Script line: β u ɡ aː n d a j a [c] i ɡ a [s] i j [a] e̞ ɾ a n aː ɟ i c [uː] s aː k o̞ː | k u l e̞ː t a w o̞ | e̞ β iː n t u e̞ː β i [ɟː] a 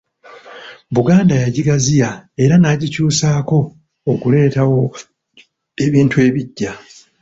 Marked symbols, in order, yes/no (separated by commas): no, no, yes, yes, yes